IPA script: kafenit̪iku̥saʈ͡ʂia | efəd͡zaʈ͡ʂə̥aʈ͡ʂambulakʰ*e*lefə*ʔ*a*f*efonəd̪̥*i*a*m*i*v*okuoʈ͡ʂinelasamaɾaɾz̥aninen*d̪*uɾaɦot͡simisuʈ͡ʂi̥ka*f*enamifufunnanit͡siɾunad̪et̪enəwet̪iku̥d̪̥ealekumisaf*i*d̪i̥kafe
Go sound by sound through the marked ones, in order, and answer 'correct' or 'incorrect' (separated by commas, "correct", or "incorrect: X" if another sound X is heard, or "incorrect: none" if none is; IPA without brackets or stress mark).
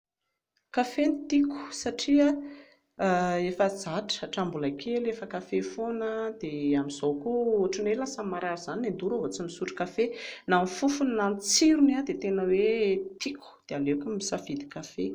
correct, incorrect: k, correct, incorrect: e, correct, incorrect: z, correct, correct, correct